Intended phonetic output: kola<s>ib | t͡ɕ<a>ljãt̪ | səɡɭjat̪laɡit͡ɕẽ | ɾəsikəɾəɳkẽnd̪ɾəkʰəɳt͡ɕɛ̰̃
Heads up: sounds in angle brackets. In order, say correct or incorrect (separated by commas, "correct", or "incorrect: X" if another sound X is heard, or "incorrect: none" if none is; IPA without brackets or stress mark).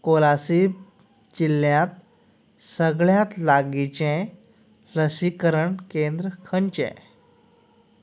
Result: correct, incorrect: i